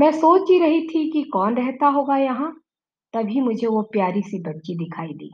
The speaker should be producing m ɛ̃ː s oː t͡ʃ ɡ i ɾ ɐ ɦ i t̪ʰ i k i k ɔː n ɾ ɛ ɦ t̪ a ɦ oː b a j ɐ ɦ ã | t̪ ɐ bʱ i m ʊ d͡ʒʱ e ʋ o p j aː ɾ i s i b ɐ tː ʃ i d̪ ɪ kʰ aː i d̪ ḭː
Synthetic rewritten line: m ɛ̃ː s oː t͡ʃ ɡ i ɾ ɐ ɦ i t̪ʰ i k i k ɔː n ɾ ɛ ɦ t̪ a ɦ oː ɡ a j ɐ ɦ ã | t̪ ɐ bʱ i m ʊ d͡ʒʱ e ʋ o p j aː ɾ i s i b ɐ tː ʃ i d̪ ɪ kʰ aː i d̪ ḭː